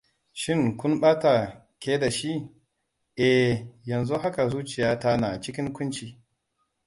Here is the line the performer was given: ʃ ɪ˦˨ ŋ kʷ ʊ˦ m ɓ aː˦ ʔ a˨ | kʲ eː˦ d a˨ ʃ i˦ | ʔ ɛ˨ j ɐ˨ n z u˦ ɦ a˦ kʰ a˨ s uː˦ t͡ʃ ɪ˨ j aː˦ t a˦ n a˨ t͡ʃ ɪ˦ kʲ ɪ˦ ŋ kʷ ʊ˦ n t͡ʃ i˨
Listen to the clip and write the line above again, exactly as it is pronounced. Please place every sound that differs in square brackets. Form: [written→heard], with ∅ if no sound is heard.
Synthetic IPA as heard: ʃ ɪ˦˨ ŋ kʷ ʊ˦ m ɓ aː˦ [ʔ→t] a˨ | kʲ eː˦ d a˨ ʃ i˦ | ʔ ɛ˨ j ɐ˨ n z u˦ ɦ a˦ [kʰ→k] a˨ [s→z] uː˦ t͡ʃ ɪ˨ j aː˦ t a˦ n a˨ t͡ʃ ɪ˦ kʲ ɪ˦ ŋ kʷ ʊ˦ n t͡ʃ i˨